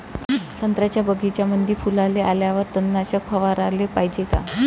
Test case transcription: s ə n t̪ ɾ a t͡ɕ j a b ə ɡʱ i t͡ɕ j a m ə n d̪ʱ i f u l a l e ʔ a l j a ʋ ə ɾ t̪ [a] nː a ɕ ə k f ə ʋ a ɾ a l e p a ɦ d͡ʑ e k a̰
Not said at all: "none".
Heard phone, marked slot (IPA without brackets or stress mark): ə